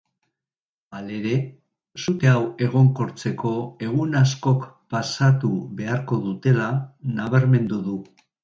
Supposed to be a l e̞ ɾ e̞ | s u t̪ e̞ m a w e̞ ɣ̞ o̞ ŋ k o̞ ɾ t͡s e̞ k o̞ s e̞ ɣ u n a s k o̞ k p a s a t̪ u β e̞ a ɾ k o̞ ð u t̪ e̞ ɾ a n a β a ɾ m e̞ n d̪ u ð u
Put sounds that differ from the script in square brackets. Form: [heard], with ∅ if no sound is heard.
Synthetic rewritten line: a l e̞ ɾ e̞ | s u t̪ e̞ [∅] a w e̞ ɣ̞ o̞ ŋ k o̞ ɾ t͡s e̞ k o̞ [∅] e̞ ɣ u n a s k o̞ k p a s a t̪ u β e̞ a ɾ k o̞ ð u t̪ e̞ [l] a n a β a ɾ m e̞ n d̪ u ð u